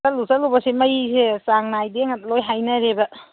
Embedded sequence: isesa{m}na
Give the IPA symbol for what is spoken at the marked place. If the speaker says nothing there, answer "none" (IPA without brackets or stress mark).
ŋ